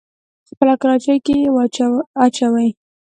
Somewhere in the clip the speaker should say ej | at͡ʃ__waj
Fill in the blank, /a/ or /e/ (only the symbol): a